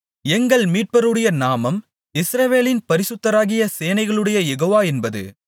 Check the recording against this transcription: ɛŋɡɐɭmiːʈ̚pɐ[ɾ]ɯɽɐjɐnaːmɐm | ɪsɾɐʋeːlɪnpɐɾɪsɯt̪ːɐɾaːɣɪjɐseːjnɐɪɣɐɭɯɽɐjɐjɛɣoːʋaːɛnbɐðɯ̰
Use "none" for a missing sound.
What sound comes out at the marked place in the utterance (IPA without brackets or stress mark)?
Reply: ɾ